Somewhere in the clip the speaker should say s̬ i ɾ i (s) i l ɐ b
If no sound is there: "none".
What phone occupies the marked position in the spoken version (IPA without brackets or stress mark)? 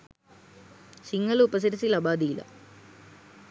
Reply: s